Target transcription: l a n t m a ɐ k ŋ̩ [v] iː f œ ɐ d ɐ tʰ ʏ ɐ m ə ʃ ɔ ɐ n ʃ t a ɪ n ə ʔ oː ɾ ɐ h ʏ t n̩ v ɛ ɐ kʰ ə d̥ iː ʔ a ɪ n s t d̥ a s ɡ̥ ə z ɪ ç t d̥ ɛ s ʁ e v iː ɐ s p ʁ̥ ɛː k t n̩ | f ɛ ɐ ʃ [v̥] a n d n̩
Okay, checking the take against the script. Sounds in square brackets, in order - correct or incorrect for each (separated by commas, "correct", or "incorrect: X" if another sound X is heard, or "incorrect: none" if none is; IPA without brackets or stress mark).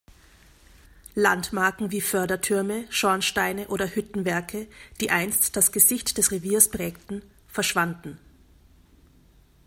correct, correct